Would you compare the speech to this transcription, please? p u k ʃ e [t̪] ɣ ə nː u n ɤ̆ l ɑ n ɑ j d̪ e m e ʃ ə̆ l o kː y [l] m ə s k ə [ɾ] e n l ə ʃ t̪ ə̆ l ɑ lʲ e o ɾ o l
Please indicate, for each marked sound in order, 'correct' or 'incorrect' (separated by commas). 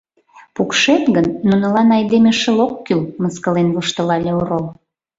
correct, correct, incorrect